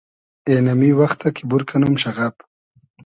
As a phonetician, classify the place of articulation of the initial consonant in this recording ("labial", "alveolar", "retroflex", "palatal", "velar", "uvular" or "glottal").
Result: alveolar